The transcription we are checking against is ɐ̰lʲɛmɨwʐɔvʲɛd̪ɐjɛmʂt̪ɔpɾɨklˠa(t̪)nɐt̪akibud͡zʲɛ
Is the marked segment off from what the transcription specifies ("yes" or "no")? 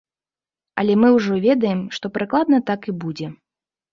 yes